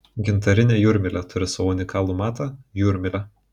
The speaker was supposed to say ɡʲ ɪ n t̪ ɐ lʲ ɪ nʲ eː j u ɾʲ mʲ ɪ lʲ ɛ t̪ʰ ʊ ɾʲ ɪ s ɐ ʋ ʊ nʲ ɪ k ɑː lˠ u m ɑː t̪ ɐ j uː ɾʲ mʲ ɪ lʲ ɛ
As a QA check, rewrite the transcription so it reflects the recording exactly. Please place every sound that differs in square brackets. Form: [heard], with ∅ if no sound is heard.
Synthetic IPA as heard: ɡʲ ɪ n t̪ ɐ [ɾʲ] ɪ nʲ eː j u ɾʲ mʲ ɪ lʲ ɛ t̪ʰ ʊ ɾʲ ɪ s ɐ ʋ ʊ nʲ ɪ k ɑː lˠ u m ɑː t̪ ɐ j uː ɾʲ mʲ ɪ lʲ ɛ